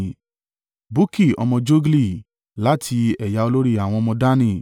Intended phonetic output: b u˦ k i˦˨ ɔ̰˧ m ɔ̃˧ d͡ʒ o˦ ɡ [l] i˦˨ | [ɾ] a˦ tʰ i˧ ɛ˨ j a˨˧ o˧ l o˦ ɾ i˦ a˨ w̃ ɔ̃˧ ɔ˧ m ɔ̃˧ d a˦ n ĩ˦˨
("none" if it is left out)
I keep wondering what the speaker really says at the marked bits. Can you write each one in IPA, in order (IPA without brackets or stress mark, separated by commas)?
l, l